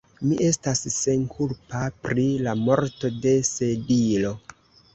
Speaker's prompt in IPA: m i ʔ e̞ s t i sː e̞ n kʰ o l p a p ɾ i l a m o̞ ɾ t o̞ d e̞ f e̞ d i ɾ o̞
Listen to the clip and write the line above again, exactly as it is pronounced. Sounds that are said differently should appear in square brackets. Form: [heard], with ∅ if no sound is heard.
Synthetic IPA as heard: m i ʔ e̞ s t [a] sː e̞ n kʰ [u] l p a p ɾ i l a m o̞ ɾ t o̞ d e̞ [s] e̞ d i [l] o̞